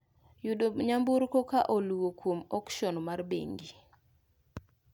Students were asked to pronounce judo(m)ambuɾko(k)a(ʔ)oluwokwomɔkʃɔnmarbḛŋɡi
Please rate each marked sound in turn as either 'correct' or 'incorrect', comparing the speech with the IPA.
incorrect: ɲ, correct, correct

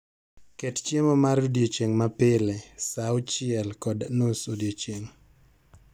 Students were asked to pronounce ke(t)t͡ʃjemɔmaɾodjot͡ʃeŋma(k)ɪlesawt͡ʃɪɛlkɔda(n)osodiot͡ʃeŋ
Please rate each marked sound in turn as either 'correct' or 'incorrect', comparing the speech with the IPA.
correct, incorrect: p, correct

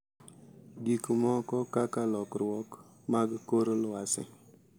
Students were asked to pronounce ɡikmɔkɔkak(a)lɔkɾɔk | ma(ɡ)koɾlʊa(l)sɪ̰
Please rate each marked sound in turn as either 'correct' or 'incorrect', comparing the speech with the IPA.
correct, correct, incorrect: none

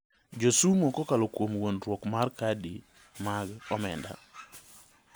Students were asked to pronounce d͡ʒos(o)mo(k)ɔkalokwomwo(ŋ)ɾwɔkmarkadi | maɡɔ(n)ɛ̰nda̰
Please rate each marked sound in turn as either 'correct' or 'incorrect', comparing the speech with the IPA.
incorrect: u, correct, incorrect: n, incorrect: m

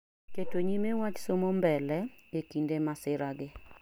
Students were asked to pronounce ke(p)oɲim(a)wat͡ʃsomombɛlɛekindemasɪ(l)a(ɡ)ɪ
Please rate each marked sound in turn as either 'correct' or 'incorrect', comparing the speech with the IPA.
incorrect: t, incorrect: e, incorrect: ɾ, correct

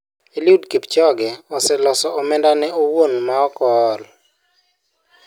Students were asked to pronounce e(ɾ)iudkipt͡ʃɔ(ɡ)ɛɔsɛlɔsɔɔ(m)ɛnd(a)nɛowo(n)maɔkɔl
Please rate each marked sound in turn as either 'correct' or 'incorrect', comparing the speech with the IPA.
incorrect: l, correct, correct, correct, correct

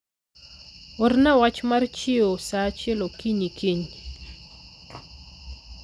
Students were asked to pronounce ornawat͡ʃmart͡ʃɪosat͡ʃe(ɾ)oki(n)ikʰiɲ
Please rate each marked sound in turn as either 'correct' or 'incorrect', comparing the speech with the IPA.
incorrect: l, incorrect: ɲ

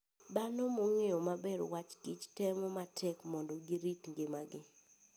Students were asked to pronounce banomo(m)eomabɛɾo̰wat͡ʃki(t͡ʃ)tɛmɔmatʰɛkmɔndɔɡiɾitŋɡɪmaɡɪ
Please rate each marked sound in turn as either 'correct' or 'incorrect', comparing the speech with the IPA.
incorrect: ŋ, correct

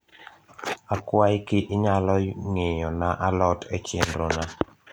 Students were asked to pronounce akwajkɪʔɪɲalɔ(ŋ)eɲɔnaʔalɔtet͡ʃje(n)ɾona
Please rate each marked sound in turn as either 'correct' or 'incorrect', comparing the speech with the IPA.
correct, correct

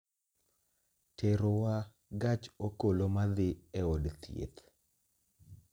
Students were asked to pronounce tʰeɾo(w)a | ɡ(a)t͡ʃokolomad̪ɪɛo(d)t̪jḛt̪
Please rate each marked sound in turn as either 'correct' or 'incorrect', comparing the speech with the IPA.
correct, correct, correct

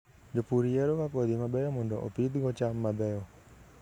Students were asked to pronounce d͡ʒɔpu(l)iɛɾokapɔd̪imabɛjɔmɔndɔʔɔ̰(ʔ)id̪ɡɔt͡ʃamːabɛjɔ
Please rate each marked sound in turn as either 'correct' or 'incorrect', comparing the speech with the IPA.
incorrect: ɾ, incorrect: p

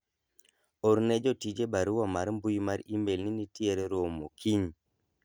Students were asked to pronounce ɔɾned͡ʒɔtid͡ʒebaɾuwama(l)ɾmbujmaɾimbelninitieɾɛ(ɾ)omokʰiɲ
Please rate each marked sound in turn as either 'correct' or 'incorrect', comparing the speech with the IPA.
incorrect: none, correct

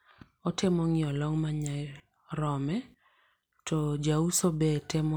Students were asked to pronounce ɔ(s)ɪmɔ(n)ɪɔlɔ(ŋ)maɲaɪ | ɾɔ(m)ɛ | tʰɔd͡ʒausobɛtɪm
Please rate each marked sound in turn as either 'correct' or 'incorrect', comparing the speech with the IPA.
incorrect: t, incorrect: ŋ, correct, correct

